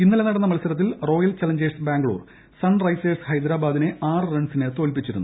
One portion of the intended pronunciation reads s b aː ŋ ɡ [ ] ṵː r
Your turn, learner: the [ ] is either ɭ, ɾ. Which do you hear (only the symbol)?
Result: ɭ